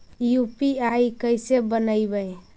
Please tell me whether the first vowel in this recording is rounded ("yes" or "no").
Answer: yes